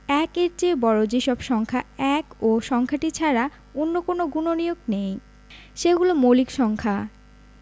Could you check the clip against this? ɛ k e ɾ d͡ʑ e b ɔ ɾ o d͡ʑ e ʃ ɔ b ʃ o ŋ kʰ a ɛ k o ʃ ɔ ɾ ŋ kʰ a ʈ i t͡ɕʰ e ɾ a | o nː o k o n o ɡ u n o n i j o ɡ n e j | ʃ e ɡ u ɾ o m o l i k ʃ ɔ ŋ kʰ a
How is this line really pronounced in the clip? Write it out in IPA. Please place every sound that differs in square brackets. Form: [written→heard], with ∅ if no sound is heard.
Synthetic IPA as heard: ɛ k e ɾ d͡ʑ e b ɔ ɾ o d͡ʑ e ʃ ɔ b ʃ [o→ɔ] ŋ kʰ a ɛ k o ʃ ɔ [ɾ→∅] ŋ kʰ a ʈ i t͡ɕʰ [e→a] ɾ a | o nː o k o n o ɡ u n o n i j o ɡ n e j | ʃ e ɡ u [ɾ→l] o m o l i k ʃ ɔ ŋ kʰ a